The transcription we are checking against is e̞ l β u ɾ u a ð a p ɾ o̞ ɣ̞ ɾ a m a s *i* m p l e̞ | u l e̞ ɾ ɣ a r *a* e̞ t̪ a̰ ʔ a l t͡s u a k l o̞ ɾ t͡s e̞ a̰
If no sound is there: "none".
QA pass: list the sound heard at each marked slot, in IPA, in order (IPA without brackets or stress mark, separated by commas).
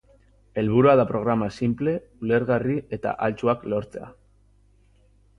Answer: i, i